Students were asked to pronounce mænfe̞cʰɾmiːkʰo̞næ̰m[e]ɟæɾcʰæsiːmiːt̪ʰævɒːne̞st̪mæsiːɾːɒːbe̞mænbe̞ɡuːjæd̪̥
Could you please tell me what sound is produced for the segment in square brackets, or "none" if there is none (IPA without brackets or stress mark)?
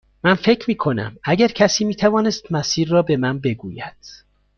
æ